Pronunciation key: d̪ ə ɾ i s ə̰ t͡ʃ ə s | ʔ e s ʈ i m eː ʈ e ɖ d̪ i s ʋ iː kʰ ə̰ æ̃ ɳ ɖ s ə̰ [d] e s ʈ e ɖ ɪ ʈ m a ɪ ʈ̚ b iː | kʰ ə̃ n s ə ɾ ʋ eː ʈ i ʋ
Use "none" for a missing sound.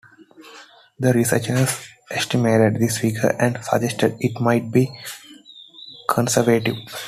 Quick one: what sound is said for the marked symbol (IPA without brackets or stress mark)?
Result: d͡ʒ